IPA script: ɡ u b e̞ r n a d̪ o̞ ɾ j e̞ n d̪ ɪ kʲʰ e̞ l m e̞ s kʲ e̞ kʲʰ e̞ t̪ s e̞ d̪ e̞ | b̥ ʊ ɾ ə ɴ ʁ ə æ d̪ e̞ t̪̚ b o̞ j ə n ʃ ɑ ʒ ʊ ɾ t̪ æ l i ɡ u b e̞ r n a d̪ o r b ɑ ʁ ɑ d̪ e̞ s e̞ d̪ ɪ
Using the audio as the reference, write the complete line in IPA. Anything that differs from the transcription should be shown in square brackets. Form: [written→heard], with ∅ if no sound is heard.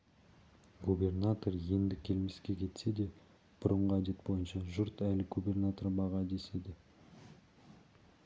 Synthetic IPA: ɡ u b e̞ r n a [d̪→t̪] o̞ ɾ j e̞ n d̪ ɪ kʲʰ e̞ l m e̞ s kʲ e̞ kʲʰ e̞ t̪ s e̞ d̪ e̞ | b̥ ʊ ɾ ə ɴ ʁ ə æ d̪ e̞ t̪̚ b o̞ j ə n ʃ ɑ ʒ ʊ ɾ t̪ æ l [i→ɪ] ɡ u b e̞ r n a [d̪→t̪] o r b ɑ ʁ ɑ d̪ e̞ s e̞ d̪ ɪ